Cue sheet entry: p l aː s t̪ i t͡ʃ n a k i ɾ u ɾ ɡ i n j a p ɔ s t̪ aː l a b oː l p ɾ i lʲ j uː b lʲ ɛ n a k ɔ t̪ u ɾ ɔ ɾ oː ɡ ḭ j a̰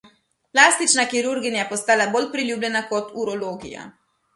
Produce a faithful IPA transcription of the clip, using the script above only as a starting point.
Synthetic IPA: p l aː s t̪ i t͡ʃ n a k i ɾ u ɾ ɡ i n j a p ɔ s t̪ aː l a b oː l p ɾ i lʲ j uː b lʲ ɛ n a k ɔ t̪ u ɾ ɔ l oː ɡ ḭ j a̰